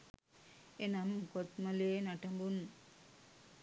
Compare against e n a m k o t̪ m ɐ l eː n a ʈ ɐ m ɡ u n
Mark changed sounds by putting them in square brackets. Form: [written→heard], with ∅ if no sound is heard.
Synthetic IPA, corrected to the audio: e n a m k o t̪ m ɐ l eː n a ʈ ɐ m [ɡ→b] u n